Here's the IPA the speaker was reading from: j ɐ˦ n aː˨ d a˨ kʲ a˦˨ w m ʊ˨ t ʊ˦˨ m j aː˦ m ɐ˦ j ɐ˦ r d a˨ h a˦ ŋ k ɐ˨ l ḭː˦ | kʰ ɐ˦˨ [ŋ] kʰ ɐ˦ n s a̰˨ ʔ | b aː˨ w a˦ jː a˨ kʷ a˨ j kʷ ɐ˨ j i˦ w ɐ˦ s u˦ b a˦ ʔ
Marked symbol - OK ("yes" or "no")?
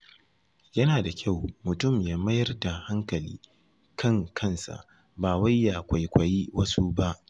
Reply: yes